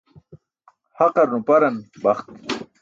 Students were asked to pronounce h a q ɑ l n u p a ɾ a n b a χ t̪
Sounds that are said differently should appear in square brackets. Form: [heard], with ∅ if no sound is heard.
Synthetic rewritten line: h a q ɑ [ɾ] n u p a ɾ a n b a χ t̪